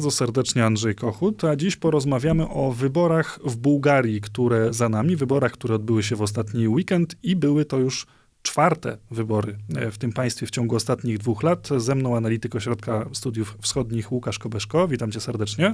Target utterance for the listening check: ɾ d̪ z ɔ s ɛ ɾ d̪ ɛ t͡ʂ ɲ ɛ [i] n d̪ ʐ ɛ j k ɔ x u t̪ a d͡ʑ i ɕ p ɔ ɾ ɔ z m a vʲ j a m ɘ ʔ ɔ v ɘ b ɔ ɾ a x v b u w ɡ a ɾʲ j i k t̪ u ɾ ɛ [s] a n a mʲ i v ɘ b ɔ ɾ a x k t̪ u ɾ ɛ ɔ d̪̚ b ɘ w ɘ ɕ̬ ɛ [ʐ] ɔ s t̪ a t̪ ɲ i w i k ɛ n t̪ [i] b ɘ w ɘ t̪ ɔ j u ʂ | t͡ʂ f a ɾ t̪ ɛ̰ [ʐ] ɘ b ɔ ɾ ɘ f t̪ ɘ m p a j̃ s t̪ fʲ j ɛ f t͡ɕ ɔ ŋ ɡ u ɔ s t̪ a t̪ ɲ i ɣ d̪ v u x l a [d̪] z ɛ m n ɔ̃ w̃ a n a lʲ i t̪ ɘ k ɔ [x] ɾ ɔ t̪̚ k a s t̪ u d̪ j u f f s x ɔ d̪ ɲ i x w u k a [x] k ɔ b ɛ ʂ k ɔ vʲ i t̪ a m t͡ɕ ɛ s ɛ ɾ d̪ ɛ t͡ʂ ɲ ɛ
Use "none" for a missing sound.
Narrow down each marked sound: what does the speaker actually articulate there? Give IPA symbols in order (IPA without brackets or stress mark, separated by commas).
a, z, v, i, v, t̪, ɕ, ʂ